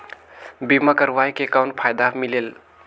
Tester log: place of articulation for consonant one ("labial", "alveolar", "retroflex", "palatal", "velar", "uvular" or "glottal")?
labial